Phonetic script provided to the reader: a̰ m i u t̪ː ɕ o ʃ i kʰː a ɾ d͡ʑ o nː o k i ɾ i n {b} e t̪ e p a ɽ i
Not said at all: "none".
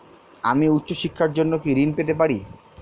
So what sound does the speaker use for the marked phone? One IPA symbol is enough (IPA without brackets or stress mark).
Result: p